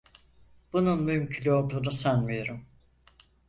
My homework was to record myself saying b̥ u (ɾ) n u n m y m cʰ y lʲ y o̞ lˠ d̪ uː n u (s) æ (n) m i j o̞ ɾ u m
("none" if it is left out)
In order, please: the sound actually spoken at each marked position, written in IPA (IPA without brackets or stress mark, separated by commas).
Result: none, s, n